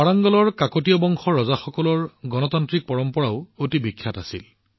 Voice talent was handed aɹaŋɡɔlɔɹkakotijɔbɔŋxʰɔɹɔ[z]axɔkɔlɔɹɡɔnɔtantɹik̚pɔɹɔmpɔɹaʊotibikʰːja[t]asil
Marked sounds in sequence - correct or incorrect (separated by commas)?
correct, correct